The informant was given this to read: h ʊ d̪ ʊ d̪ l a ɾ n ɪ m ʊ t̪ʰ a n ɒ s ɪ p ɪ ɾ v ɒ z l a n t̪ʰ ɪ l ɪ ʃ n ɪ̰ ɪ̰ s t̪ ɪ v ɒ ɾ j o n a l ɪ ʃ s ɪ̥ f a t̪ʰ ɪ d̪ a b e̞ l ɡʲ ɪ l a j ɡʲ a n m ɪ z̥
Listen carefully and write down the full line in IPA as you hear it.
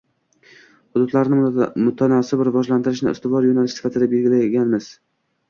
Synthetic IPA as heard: h ʊ d̪ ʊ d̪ l a ɾ n ɪ m ʊ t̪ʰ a n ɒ s ɪ b ɪ ɾ v ɒ ʒ l a n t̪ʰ ɪ ɾ ɪ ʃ n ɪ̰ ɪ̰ s t̪ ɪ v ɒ ɾ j o n a l ɪ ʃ s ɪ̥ f a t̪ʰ ɪ d̪ a b e̞ l ɡʲ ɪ l a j ɡʲ a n m ɪ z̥